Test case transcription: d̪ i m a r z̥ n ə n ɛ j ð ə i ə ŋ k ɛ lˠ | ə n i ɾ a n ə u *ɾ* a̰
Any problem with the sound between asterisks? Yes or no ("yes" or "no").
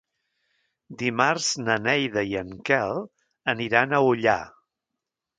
yes